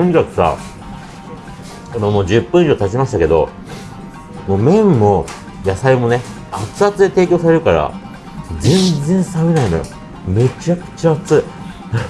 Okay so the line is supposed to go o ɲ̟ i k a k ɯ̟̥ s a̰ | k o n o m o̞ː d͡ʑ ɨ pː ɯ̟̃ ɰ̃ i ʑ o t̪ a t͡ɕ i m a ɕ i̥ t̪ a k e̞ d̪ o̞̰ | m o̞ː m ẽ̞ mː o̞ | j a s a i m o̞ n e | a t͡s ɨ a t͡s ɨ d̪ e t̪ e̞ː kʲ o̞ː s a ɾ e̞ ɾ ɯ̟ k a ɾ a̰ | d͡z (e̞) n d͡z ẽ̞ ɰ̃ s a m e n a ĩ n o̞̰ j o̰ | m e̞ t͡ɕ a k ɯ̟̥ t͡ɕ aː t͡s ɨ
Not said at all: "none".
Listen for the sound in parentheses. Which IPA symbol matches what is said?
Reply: ẽ̞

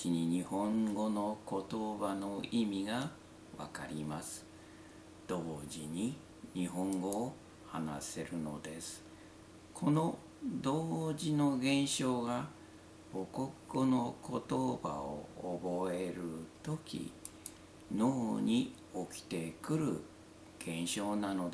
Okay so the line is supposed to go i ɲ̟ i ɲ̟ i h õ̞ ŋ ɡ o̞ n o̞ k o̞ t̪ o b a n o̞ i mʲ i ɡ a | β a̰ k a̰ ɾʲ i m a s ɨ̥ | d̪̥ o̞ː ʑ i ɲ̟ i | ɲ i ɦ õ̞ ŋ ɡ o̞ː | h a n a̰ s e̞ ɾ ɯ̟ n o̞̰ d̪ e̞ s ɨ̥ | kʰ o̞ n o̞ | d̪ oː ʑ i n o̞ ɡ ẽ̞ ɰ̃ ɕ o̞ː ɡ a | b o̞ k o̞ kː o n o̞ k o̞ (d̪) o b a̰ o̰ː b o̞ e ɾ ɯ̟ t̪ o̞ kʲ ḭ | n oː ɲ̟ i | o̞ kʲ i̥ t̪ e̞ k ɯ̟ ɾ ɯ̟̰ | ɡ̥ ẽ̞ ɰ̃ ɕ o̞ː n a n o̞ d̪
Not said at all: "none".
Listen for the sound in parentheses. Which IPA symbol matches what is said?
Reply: t̪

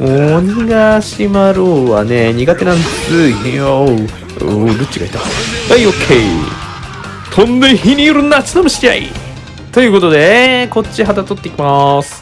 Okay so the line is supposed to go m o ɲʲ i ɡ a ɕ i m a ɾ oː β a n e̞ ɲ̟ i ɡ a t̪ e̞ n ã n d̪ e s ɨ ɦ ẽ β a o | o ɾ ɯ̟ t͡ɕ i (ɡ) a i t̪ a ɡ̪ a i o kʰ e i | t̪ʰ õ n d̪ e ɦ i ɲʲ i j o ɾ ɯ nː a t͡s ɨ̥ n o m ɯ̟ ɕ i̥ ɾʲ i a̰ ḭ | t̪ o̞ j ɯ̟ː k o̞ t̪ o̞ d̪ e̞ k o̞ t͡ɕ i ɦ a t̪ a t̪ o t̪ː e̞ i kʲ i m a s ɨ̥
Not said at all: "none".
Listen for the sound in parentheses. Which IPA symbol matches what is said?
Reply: ɡ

